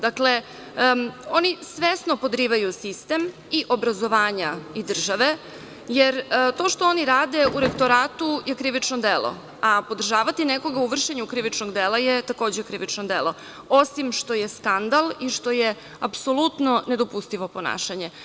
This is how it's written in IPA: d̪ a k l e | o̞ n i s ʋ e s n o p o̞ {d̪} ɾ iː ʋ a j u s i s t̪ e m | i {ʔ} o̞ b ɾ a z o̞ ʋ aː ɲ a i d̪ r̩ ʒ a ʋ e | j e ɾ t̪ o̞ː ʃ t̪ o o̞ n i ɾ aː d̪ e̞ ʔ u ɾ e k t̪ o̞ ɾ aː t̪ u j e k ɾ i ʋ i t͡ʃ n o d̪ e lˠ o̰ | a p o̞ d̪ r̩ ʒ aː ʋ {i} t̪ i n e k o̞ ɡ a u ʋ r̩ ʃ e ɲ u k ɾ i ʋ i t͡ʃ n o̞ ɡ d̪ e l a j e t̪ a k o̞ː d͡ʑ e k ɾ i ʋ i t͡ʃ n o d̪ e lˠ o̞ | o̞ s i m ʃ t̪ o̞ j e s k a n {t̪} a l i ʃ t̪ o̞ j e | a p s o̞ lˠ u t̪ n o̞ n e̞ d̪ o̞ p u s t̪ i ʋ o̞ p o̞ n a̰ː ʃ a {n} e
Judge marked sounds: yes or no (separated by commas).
yes, yes, no, no, no